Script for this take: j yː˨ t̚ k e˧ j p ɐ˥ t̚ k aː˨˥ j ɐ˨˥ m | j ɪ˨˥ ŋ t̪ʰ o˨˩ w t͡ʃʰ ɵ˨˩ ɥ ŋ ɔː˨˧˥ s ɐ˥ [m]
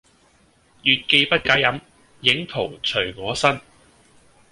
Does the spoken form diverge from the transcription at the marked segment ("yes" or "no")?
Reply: yes